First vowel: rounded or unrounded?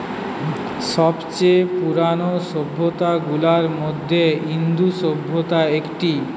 rounded